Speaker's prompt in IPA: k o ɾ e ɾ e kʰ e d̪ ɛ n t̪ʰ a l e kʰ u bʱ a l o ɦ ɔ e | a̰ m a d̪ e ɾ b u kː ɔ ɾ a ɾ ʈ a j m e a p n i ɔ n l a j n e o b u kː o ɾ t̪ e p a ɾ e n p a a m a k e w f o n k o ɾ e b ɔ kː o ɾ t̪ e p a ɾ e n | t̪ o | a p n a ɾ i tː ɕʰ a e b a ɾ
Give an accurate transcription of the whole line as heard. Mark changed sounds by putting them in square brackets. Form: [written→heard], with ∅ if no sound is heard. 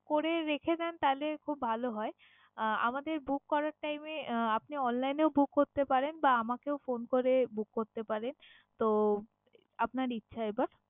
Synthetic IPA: k o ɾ e ɾ e kʰ e d̪ ɛ n [t̪ʰ→t̪] a l e kʰ u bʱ a l o ɦ ɔ e | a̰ m a d̪ e ɾ b u kː ɔ ɾ a ɾ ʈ a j m e a p n i ɔ n l a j n e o b u kː o ɾ t̪ e p a ɾ e n [p→b] a a m a k e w f o n k o ɾ e b [ɔ→u] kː o ɾ t̪ e p a ɾ e n | t̪ o | a p n a ɾ i tː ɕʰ a e b a ɾ

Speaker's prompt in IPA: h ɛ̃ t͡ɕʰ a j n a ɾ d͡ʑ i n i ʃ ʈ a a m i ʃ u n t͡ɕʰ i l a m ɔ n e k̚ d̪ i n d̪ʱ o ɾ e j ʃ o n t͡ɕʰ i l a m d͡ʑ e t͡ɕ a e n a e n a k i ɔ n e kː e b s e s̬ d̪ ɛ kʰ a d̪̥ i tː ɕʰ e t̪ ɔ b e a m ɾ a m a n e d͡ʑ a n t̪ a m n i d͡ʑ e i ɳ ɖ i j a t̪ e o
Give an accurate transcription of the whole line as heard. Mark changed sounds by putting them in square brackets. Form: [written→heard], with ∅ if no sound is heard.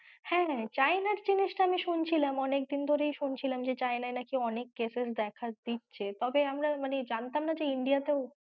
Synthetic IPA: h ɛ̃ [t͡ɕʰ→t͡ɕ] a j n a ɾ d͡ʑ i n i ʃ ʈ a a m i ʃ u n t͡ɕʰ i l a m ɔ n e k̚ d̪ i n d̪ʱ o ɾ e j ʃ [o→u] n t͡ɕʰ i l a m d͡ʑ e t͡ɕ a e n a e n a k i ɔ n e kː e [b→∅] s e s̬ d̪ ɛ kʰ a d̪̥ i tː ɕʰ e t̪ ɔ b e a m ɾ a m a n e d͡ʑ a n t̪ a m n [i→a] d͡ʑ e i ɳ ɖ i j a t̪ e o

